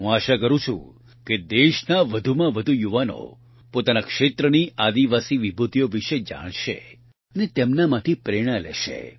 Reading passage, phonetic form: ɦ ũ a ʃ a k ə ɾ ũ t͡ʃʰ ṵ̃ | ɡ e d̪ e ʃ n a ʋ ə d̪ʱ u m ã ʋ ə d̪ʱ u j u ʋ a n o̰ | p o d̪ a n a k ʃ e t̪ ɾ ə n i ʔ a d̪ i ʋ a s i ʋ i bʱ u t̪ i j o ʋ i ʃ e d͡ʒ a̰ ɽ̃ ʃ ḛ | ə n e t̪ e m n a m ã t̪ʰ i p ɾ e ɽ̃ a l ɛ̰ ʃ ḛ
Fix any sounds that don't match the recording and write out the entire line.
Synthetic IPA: ɦ ũ a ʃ a k ə ɾ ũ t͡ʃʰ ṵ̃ | k e d̪ e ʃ n a ʋ ə d̪ʱ u m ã ʋ ə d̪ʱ u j u ʋ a n o̰ | p o t̪ a n a k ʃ e t̪ ɾ ə n i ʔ a d̪ i ʋ a s i ʋ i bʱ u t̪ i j o ʋ i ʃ e d͡ʒ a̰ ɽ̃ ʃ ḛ | ə n e t̪ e m n a m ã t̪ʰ i p ɾ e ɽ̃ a l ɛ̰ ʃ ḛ